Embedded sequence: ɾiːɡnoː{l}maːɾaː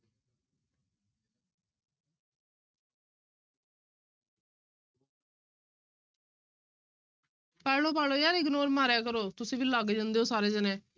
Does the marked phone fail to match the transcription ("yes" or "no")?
yes